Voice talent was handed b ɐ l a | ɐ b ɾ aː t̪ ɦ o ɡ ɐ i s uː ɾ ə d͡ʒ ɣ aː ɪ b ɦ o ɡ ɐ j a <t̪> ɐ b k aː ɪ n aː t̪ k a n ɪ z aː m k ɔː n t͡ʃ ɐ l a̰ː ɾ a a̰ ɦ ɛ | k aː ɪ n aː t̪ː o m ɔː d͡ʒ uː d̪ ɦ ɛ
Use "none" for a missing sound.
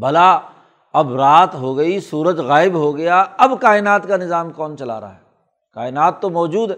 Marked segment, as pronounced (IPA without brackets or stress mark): none